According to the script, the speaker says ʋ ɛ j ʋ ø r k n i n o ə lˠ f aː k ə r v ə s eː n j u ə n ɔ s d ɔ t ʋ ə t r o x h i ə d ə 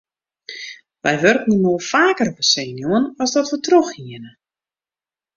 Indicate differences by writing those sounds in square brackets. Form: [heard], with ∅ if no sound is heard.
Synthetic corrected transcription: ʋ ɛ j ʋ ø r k n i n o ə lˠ f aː k ə r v ə s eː n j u ə n ɔ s d ɔ t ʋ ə t r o x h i ə [n] ə

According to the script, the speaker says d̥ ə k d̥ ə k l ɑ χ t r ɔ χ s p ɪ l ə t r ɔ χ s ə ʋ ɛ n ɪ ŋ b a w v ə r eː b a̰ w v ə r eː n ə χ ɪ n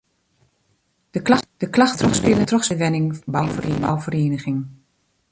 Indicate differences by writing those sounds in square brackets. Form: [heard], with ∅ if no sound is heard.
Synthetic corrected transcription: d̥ ə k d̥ ə k l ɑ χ t r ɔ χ s p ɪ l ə t r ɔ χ s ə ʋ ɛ n ɪ ŋ b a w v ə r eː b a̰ w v ə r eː n ə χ ɪ [ŋ]

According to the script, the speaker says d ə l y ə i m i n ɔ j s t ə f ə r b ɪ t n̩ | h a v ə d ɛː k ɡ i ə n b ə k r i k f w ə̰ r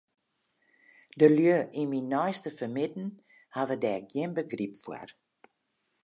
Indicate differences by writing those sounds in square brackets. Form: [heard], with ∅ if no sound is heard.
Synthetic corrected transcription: d ə l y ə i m i n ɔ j s t ə f ə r [m] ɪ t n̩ | h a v ə d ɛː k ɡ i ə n b ə [ɡ] r i [p] f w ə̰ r

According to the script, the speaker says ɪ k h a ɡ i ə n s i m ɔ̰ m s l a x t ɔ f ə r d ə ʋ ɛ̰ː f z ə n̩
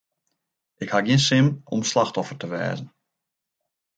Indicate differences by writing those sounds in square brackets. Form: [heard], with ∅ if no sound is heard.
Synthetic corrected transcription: ɪ k h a ɡ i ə n s [ɪ] m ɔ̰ m s l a x t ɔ f ə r [t] ə ʋ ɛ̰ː [∅] z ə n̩

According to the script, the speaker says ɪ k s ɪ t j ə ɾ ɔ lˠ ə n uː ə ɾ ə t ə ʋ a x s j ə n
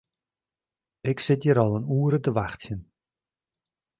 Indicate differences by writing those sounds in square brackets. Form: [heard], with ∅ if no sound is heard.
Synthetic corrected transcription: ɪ k s ɪ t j ə ɾ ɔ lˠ ə n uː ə ɾ ə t ə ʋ a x [t] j ə n

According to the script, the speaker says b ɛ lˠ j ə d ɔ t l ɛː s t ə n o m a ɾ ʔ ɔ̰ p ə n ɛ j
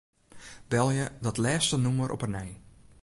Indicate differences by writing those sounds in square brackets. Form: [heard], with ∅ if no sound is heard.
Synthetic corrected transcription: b ɛ lˠ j ə d ɔ t l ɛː s t ə n [u] m [ə] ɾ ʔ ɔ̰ p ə n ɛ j

